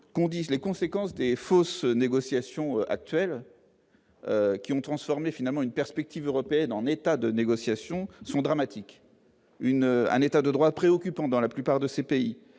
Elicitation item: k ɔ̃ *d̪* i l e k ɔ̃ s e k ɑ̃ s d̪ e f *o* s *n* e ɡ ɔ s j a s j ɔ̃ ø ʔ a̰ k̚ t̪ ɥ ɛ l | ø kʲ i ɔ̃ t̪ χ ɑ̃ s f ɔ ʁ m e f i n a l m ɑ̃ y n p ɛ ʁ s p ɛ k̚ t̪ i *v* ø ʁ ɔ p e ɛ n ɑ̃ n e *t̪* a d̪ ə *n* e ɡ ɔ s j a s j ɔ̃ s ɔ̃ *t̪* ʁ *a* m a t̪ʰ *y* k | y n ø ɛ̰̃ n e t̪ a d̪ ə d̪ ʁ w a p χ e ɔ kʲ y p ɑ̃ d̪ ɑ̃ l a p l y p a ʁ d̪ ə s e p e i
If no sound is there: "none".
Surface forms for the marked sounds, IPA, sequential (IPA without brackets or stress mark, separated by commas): d̪, o, n, v, t̪, n, d̪, a, i